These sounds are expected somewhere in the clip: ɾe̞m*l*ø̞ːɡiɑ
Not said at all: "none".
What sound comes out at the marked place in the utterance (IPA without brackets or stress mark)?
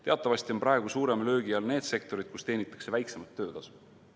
l